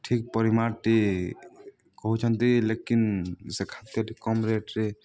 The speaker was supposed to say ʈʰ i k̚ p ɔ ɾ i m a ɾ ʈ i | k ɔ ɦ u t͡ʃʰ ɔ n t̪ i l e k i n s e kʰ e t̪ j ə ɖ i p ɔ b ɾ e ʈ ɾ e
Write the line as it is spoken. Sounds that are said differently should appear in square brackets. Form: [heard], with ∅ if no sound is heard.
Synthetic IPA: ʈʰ i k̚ p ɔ ɾ i m a ɾ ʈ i | k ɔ ɦ u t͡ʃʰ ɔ n t̪ i l e k i n s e kʰ [a] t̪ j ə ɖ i [k] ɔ [m] ɾ e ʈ ɾ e